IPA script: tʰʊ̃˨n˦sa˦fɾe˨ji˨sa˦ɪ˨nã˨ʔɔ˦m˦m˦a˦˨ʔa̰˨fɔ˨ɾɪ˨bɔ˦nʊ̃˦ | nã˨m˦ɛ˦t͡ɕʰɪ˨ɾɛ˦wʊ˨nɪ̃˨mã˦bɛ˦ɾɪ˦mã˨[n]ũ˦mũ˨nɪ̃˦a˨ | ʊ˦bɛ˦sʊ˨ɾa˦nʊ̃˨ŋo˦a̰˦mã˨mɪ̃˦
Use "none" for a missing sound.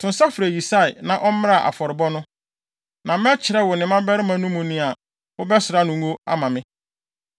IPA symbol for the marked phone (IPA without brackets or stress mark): n